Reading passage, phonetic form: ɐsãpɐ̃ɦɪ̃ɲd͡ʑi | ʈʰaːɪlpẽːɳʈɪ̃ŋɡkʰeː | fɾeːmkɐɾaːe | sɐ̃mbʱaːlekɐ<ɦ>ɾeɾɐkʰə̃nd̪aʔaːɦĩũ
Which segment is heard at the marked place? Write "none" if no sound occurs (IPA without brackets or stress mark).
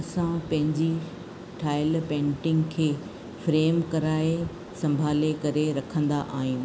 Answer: none